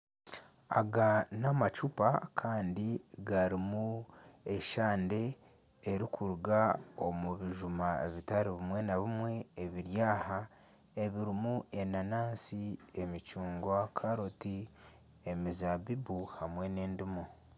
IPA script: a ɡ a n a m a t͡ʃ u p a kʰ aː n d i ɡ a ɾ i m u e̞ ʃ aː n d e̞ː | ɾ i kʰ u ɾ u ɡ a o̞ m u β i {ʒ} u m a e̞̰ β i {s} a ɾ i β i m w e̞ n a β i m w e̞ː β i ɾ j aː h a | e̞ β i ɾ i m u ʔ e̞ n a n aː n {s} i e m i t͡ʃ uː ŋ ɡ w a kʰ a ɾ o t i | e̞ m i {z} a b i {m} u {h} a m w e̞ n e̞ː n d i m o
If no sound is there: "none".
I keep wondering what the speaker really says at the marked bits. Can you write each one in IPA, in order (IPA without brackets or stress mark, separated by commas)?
ʒ, t, s, z, b, h